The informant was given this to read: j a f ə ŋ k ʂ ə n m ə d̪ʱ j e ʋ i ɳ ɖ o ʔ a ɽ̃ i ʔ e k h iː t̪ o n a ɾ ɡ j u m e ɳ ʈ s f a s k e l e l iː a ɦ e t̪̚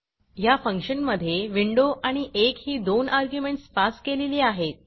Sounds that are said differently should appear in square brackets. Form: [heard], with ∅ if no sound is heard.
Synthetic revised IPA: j a f ə ŋ k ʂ ə n m ə d̪ʱ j e ʋ i ɳ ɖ o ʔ a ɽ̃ i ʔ e k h iː [d̪] o n a ɾ ɡ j u m e ɳ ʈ s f a s k e l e l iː a ɦ e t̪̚